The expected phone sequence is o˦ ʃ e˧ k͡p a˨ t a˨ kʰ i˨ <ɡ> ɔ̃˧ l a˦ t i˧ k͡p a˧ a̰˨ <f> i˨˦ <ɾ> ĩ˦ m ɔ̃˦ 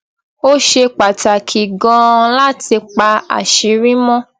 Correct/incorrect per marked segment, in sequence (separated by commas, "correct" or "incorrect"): correct, incorrect, correct